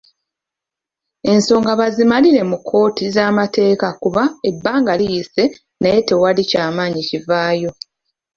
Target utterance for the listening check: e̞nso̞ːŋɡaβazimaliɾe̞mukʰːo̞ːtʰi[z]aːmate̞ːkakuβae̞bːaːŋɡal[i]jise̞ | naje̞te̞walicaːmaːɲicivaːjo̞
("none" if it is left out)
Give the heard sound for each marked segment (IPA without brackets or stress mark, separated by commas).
z, i